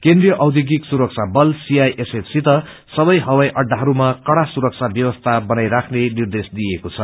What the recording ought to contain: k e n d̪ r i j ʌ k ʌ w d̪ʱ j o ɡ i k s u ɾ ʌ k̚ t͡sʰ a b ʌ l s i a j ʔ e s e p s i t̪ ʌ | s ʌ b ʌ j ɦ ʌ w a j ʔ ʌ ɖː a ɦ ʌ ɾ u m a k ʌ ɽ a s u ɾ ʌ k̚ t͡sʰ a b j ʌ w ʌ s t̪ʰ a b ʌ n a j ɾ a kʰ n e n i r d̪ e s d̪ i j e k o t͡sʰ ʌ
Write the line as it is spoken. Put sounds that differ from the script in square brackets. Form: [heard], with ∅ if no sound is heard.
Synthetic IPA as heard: k e n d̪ r i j ʌ [ʔ] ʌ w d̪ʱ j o ɡ i k s u ɾ ʌ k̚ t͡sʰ a b ʌ l s i a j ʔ e s e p s i t̪ ʌ | s ʌ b ʌ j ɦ ʌ w a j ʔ ʌ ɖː a ɦ ʌ ɾ u m a k ʌ ɽ a s u ɾ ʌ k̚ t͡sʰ a b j ʌ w ʌ s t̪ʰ a b ʌ n a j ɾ a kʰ n e n i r d̪ e s d̪ i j e k o t͡sʰ ʌ

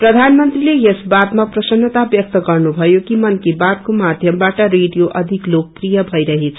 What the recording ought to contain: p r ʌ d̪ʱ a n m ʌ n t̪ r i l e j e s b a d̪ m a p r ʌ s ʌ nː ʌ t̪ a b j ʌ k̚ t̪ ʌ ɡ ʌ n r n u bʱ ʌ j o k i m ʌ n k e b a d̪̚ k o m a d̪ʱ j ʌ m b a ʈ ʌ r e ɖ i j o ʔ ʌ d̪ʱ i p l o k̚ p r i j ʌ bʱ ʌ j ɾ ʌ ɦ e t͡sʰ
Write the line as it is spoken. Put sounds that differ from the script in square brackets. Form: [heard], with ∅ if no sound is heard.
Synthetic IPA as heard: p r ʌ d̪ʱ a n m ʌ n t̪ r i l e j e s b a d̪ m a p r ʌ s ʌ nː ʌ t̪ a b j ʌ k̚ t̪ ʌ ɡ ʌ [∅] r n u bʱ ʌ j o k i m ʌ n k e b a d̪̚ k o m a d̪ʱ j ʌ m b a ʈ ʌ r e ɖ i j o ʔ ʌ d̪ʱ i [k] l o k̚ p r i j ʌ bʱ ʌ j ɾ ʌ ɦ e t͡sʰ

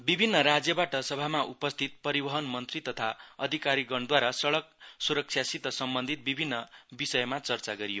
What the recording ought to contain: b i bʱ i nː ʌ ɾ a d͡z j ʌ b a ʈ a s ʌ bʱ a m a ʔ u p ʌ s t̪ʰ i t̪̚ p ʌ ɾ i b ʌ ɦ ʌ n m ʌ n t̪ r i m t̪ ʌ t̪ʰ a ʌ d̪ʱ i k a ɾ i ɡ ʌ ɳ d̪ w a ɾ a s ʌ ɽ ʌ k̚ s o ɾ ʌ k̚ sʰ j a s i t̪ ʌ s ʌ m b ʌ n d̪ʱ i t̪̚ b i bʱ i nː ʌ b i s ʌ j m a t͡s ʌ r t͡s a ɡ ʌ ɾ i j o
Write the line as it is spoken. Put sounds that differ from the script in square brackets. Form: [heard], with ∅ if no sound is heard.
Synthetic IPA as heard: b i bʱ i nː ʌ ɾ a d͡z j ʌ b a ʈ [ʌ] s ʌ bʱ a m a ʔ u p ʌ s t̪ʰ i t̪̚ p ʌ ɾ i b ʌ ɦ ʌ n m ʌ n t̪ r i [∅] t̪ ʌ t̪ʰ a ʌ d̪ʱ i k a ɾ i ɡ ʌ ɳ d̪ w a ɾ a s ʌ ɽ ʌ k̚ s [u] ɾ ʌ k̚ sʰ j a s i t̪ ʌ s ʌ m b ʌ n d̪ʱ i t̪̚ b i bʱ i nː ʌ b i s ʌ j m a t͡s ʌ r t͡s a ɡ ʌ ɾ i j o

